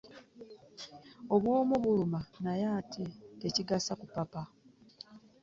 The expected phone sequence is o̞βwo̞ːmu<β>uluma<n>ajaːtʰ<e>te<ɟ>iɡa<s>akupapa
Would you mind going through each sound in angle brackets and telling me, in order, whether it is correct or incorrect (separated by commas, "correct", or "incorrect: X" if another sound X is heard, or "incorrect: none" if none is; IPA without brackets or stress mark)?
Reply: correct, correct, correct, incorrect: c, correct